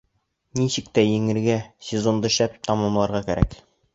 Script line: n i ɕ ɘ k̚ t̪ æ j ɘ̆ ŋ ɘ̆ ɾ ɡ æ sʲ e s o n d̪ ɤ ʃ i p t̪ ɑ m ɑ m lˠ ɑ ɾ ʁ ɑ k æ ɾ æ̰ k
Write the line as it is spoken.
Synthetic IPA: n i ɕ ɘ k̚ t̪ æ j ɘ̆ ŋ ɘ̆ ɾ ɡ æ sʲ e z o n d̪ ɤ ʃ æ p t̪ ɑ m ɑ m lˠ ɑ ɾ ʁ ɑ k æ ɾ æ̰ k